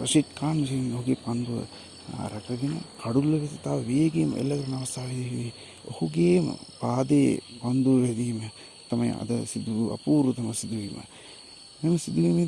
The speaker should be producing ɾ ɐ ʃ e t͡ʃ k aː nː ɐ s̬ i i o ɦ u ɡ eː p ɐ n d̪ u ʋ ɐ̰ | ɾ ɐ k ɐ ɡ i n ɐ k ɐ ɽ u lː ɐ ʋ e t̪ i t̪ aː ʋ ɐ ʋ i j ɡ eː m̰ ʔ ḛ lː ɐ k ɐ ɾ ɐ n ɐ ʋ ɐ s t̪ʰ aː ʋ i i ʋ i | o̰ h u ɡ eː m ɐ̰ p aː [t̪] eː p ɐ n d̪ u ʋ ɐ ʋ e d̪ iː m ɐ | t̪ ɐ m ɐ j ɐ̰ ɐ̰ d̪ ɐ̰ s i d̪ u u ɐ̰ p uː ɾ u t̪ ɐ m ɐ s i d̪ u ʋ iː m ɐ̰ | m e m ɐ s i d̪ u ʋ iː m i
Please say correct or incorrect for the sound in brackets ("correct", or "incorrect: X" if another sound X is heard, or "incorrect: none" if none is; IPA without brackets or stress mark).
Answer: incorrect: d̪